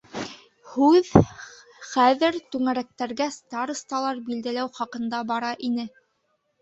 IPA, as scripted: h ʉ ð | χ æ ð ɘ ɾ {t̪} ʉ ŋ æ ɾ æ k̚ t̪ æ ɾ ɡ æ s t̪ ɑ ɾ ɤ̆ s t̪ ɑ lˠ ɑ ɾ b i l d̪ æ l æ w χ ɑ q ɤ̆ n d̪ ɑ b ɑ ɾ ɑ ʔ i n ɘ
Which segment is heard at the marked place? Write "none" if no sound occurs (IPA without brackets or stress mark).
t̪